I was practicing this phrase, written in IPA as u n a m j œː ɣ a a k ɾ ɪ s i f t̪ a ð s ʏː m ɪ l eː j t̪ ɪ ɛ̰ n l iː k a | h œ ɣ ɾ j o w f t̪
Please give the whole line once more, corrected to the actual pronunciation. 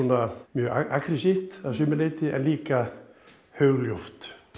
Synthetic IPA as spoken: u n a m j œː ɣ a a k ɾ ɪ s i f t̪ a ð s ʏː m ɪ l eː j t̪ ɪ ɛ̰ n l iː k a | h œ ɣ l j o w f t̪

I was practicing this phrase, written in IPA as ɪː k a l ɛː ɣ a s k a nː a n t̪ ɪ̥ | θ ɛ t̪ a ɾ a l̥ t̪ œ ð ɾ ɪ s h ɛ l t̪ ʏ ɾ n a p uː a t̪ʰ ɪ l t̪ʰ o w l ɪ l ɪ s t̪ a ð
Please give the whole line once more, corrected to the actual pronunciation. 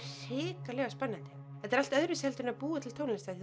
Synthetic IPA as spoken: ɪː k a l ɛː ɣ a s p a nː a n t̪ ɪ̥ | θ ɛ t̪ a ɾ a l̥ t̪ œ ð ɾ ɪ s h ɛ l t̪ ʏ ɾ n a p uː a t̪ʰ ɪ l t̪ʰ o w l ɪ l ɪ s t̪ a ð

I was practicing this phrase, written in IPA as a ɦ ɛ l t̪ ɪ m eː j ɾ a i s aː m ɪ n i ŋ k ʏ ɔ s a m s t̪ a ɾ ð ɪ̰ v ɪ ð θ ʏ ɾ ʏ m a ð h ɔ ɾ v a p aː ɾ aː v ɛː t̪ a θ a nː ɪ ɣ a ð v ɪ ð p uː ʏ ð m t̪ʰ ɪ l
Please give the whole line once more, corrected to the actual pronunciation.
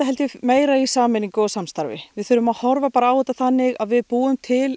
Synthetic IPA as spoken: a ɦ ɛ l t̪ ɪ m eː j ɾ a i s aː m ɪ n i ŋ k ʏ ɔ s a m s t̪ a ɾ v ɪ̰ v ɪ ð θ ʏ ɾ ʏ m a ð h ɔ ɾ v a p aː ɾ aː w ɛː t̪ a θ a nː ɪ ɣ a ð v ɪ ð p uː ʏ m t̪ʰ ɪ l

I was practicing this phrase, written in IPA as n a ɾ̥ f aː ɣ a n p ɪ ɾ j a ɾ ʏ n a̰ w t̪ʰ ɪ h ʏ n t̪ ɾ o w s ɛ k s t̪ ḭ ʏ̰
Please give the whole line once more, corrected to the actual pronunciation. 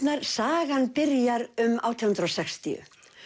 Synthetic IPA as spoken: n a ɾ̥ s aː ɣ a n p ɪ ɾ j a ɾ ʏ m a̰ w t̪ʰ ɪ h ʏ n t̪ ɾ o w s ɛ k s t̪ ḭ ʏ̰

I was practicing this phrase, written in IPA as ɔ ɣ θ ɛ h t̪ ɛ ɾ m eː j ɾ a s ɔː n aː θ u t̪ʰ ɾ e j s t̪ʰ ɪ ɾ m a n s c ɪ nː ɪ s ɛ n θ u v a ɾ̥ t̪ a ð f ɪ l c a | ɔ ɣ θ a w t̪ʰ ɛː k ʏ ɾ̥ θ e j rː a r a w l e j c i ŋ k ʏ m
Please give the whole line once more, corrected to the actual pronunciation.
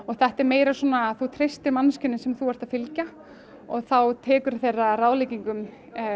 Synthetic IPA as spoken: ɔ ɣ θ ɛ h t̪ ɛ ɾ m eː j ɾ a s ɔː n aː θ u t̪ʰ ɾ e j s t̪ ɪ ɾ m a n s c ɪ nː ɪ s ɛ m θ u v a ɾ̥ t̪ a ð f ɪ l c a | ɔ ɣ θ a w t̪ʰ ɛː k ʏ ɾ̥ θ e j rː a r a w l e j c i ŋ k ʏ m

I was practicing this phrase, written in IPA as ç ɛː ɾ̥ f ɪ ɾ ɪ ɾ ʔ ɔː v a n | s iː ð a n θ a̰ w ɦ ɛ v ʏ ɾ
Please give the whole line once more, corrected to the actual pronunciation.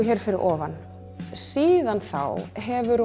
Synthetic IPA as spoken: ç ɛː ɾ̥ f ɪ ɾ ɪ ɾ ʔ ɔː v a n | s iː ð a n θ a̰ w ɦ ɛ v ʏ ɾ

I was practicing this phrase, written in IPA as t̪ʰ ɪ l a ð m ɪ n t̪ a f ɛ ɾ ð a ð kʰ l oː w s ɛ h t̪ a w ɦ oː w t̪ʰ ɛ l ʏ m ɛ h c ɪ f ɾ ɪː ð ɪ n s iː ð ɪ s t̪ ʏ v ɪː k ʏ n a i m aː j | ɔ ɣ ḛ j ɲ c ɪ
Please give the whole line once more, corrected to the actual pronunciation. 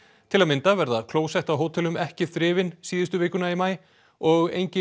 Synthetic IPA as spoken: t̪ʰ ɪ l a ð m ɪ n t̪ a v ɛ ɾ ð a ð kʰ l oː w s ɛ h t̪ a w ɦ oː w t̪ʰ ɛ l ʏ m ɛ h c ɪ θ ɾ ɪː v ɪ n s iː ð ɪ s t̪ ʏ v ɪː k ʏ n a i m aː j | ɔ ɣ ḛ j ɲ c ɪ

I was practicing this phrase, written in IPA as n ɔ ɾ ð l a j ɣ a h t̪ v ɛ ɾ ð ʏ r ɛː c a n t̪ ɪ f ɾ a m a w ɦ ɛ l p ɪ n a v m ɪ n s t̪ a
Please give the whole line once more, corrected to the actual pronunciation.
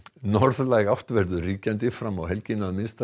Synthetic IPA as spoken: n ɔ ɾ ð l a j ɣ a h t̪ v ɛ ɾ ð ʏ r iː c a n t̪ ɪ f ɾ a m a w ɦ ɛ l c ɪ n a ð m ɪ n s t̪ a

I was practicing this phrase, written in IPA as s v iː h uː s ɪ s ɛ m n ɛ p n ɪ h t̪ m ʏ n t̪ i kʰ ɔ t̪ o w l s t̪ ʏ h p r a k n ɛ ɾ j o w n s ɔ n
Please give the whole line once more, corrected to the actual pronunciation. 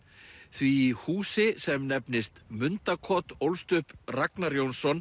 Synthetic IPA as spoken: θ v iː h uː s ɪ s ɛ m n ɛ p n ɪ s t̪ m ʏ n t̪ a kʰ ɔ t̪ o w l s t̪ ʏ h p r a k n a ɾ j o w n s ɔ n

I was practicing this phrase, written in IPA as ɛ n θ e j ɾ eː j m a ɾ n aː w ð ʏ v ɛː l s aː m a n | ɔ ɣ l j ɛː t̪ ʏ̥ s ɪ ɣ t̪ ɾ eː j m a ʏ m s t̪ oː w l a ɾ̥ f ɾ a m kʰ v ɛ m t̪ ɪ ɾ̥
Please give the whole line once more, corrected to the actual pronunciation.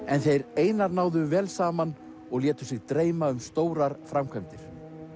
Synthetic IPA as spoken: ɛ n θ e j ɾ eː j n a ɾ n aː w ð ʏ v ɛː l s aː m a n | ɔ ɣ l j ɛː t̪ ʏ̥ s ɪ ɣ t̪ ɾ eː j m a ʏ m s t̪ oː w ɾ a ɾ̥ f ɾ a m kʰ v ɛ m t̪ ɪ ɾ̥

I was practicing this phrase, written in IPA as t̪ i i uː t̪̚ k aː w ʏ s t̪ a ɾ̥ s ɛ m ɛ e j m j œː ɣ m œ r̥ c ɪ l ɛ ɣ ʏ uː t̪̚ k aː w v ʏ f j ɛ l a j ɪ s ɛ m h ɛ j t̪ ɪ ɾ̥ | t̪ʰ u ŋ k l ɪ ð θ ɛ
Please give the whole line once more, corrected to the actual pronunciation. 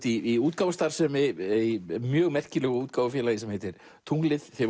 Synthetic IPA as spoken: t̪ i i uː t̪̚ k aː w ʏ s t̪ a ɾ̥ s ɛ m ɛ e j m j œː ɣ m ɛ r̥ c ɪ l ɛ ɣ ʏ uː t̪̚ k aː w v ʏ f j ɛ l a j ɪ s ɛ m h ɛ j t̪ ɪ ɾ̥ | t̪ʰ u ŋ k l ɪ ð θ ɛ

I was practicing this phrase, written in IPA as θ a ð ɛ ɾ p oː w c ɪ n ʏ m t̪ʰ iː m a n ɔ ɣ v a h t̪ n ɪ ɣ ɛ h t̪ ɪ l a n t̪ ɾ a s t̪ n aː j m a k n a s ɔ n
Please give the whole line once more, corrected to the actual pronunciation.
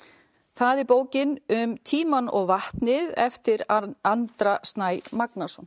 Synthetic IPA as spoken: θ a ð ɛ ɾ p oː w c ɪ n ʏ m t̪ʰ iː m a n ɔ ɣ v a h t̪ n ɪ ð ɛ f t̪ ɪ ɾ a n t̪ ɾ a s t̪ n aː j m a k n a s ɔ n

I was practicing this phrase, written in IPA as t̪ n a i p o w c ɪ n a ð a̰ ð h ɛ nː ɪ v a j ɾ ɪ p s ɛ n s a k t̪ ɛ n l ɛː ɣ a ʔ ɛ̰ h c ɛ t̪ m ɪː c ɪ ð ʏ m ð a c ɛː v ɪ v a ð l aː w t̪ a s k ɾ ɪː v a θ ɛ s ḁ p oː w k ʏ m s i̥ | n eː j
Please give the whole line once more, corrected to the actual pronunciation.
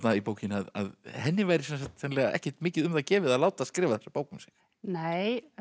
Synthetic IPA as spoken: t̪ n a i p o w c ɪ n a ð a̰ ð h ɛ nː ɪ v a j ɾ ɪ s ɛ n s a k t̪ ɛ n l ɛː ɣ a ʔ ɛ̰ h c ɛ t̪ m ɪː c ɪ ð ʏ m ð a c ɛː v ɪ ð a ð l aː w t̪ a s k ɾ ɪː v a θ ɛ s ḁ p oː w k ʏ m s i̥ | n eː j

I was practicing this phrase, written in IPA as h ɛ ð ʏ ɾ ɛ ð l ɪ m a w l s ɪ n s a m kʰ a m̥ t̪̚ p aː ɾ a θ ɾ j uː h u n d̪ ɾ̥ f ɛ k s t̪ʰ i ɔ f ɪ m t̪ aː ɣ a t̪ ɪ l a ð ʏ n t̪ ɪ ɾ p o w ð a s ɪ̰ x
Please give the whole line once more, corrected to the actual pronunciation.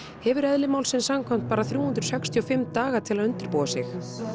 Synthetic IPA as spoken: h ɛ v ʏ ɾ ɛ ð l ɪ m a w l s ɪ n s a m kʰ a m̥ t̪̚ p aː ɾ a θ ɾ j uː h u n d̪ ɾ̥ s ɛ k s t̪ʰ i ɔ f ɪ m t̪ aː ɣ a t̪ʰ ɪ l a ð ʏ n t̪ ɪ ɾ p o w ð a s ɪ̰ x

